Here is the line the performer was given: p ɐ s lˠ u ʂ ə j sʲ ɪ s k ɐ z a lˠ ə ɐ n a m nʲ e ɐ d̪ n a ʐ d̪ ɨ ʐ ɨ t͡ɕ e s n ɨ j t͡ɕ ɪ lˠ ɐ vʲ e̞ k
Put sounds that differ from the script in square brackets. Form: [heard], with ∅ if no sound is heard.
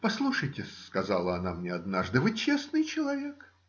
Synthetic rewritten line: p ɐ s lˠ u ʂ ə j [tʲ] ɪ s k ɐ z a lˠ ə ɐ n a m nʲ e ɐ d̪ n a ʐ d̪ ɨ [v] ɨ t͡ɕ e s n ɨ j t͡ɕ ɪ lˠ ɐ vʲ e̞ k